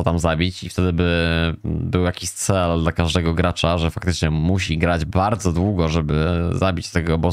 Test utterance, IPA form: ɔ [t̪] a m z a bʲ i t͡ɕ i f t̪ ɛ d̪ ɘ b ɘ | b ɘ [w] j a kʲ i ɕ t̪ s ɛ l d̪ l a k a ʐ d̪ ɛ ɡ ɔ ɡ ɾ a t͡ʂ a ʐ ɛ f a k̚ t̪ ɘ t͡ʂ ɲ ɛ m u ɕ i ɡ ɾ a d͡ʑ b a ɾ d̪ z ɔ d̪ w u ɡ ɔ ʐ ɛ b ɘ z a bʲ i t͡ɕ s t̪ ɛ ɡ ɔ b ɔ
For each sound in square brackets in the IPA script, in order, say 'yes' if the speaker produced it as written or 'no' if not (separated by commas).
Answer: yes, yes